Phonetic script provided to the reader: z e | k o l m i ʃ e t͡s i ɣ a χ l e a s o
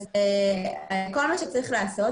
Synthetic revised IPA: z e | k o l m a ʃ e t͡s a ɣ i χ l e a s o